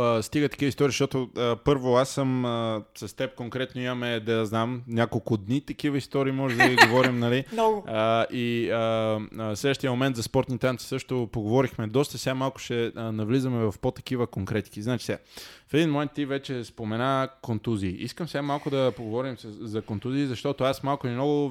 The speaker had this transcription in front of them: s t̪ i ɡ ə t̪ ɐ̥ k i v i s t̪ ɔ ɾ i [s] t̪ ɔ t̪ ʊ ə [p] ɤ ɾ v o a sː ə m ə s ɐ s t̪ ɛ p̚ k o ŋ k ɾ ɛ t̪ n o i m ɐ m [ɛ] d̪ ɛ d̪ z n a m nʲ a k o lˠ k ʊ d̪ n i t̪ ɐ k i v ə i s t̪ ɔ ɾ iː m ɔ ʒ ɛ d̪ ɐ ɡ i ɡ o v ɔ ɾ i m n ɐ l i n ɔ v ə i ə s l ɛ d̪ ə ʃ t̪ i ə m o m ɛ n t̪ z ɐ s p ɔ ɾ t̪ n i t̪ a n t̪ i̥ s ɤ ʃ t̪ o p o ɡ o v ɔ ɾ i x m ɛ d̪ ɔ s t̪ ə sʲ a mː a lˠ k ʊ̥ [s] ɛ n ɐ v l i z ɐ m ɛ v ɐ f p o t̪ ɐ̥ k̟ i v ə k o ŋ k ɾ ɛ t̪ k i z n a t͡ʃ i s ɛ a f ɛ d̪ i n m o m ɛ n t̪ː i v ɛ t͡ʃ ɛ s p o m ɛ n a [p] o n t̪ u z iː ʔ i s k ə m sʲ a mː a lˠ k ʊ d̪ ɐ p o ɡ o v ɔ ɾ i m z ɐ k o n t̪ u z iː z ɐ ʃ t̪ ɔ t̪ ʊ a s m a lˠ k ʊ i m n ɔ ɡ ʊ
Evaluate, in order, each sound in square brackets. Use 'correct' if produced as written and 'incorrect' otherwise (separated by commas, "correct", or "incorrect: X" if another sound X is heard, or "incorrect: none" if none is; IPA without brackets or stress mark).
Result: incorrect: ʃ, correct, correct, incorrect: ʃ, incorrect: k